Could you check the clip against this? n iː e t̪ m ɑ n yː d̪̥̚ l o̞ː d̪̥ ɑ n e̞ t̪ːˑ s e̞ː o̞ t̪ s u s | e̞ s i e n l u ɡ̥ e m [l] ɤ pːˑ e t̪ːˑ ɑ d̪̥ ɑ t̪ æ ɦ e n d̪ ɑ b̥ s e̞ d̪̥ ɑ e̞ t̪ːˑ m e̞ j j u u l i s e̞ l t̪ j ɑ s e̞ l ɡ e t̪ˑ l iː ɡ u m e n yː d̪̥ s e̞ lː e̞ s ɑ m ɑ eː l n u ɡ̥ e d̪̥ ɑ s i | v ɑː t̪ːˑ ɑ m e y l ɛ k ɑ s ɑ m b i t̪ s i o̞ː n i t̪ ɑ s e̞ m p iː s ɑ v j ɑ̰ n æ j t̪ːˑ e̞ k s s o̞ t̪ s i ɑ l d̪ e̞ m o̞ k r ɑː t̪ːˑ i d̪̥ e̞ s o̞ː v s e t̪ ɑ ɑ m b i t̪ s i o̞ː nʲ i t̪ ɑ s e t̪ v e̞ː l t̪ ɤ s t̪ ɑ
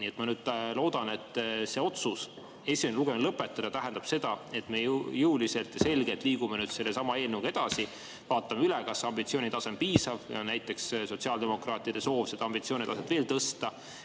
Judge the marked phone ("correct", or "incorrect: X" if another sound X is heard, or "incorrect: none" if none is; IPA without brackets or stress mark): correct